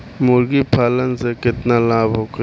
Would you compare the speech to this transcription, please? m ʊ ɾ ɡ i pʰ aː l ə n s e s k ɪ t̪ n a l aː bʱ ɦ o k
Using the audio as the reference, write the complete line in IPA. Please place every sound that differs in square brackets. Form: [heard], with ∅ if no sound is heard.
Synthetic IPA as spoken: m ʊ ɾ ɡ i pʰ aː l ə n s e [∅] k ɪ t̪ n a l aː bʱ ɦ o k